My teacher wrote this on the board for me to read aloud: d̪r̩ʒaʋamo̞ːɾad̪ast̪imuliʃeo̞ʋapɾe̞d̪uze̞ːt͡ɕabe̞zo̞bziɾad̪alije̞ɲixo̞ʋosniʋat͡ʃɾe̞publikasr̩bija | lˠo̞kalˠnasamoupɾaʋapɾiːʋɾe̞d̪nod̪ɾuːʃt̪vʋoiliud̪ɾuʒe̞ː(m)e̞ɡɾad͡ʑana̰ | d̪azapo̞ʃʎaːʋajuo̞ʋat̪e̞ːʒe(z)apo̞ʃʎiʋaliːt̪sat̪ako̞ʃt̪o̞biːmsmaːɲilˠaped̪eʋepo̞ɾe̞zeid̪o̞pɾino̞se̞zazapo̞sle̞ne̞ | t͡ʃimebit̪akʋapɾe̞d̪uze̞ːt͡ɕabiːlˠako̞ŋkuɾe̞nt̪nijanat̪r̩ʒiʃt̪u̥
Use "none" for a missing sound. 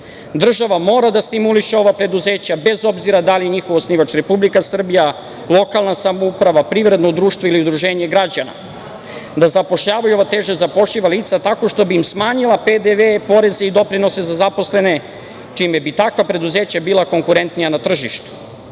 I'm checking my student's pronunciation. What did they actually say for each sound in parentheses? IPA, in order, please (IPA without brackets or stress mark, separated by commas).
ɲ, z